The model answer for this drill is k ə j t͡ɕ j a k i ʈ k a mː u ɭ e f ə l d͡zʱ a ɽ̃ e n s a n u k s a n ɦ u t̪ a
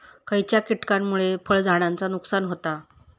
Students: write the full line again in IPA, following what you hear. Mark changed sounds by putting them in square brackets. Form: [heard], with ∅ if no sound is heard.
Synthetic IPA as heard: k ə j t͡ɕ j a k i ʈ k a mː u ɭ e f ə [ɭ] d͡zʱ a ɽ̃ [a] n [t͡s] a n u k s a n ɦ [o] t̪ a